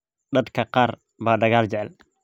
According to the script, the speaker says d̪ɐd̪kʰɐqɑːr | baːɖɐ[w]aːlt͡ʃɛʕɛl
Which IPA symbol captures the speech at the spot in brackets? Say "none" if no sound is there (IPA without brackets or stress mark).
ɣ